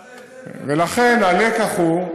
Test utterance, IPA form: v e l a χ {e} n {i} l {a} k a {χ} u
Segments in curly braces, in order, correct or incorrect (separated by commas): correct, incorrect, incorrect, correct